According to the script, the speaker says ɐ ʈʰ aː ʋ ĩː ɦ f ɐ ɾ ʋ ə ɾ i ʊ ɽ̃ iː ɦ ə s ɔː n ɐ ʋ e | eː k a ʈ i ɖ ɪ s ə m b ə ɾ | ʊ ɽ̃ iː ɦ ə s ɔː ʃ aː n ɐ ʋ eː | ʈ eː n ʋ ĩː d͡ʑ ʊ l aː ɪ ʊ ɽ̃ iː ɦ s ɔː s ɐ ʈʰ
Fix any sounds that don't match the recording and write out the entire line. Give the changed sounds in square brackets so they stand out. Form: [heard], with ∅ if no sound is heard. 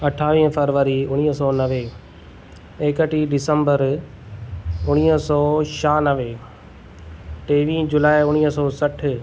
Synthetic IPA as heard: ɐ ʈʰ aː ʋ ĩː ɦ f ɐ ɾ ʋ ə ɾ i ʊ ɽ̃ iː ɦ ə s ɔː n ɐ ʋ e | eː k [ə] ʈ i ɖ ɪ s ə m b ə ɾ | ʊ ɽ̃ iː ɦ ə s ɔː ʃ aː n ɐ ʋ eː | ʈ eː [∅] ʋ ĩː d͡ʑ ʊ l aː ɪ ʊ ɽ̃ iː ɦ s ɔː s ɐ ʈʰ